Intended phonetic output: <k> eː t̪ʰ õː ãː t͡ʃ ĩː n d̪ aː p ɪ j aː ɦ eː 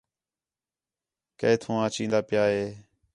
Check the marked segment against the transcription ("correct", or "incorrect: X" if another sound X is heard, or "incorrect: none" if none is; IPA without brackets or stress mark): correct